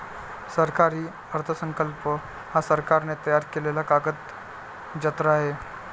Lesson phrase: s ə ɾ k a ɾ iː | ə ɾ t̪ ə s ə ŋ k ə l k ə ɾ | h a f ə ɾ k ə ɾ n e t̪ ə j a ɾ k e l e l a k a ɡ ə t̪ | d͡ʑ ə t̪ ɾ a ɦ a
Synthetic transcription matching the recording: s ə ɾ k a ɾ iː | ə ɾ t̪ʰ ə s ə ŋ k ə l p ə | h a s ə ɾ k a ɾ n e t̪ ə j a ɾ k e l e l a k a ɡ ə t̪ | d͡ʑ ə t̪ ɾ a ɦ e